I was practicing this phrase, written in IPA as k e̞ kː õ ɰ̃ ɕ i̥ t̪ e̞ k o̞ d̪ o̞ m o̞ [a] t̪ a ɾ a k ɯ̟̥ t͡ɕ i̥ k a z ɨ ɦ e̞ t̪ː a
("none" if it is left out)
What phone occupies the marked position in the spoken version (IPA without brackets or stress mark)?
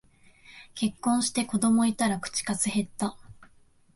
i